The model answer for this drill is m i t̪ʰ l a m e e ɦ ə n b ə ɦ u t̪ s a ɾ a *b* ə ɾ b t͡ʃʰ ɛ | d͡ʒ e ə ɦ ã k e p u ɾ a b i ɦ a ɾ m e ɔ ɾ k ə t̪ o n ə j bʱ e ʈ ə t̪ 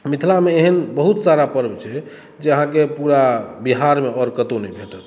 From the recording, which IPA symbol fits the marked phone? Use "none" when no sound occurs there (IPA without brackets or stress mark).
p